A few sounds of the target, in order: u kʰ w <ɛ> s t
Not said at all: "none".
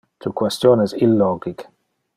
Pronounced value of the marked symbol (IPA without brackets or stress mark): ɛ